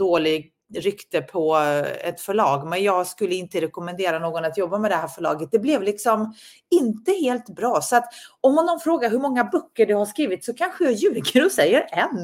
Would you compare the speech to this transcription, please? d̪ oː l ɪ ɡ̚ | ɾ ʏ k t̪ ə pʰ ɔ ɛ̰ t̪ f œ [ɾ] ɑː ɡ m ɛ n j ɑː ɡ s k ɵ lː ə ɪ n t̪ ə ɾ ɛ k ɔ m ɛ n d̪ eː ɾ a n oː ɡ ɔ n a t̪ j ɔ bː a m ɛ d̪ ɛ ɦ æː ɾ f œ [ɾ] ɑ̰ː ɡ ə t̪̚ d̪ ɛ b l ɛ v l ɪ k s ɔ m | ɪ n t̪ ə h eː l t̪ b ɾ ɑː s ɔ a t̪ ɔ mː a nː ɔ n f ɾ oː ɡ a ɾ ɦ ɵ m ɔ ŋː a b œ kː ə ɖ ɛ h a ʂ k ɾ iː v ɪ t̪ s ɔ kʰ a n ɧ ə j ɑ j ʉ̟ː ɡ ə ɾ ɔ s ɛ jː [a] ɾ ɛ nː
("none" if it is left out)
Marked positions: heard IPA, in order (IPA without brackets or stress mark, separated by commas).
ɭ, ɭ, ə